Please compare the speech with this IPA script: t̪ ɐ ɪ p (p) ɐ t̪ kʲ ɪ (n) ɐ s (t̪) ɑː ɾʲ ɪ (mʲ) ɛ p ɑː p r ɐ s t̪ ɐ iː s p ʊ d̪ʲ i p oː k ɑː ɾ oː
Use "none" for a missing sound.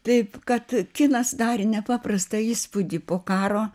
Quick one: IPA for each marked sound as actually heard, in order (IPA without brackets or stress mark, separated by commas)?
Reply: k, n, d̪, nʲ